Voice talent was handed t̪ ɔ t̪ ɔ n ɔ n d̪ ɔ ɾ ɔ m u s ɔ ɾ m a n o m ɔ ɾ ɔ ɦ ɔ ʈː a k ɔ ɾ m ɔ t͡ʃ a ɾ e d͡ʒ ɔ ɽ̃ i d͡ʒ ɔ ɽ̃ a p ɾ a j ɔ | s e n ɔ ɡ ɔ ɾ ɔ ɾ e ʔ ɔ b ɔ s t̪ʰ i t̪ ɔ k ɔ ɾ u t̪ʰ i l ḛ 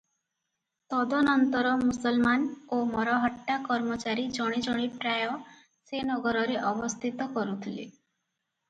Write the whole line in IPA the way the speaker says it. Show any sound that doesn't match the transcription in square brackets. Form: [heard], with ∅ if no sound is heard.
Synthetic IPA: t̪ ɔ [d̪] ɔ n ɔ n [t̪] ɔ ɾ ɔ m u s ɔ [l] m a n o m ɔ ɾ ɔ ɦ ɔ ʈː a k ɔ ɾ m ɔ t͡ʃ a ɾ [i] d͡ʒ ɔ ɽ̃ i d͡ʒ ɔ ɽ̃ [i] p ɾ a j ɔ | s e n ɔ ɡ ɔ ɾ ɔ ɾ e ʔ ɔ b ɔ s t̪ʰ i t̪ ɔ k ɔ ɾ u t̪ʰ i l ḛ